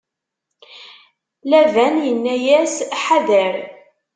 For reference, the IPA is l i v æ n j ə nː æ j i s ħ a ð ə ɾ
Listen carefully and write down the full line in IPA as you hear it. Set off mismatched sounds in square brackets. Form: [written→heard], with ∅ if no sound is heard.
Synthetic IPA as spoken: l [i→æ] v æ n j ə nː æ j [i→æ] s ħ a ð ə ɾ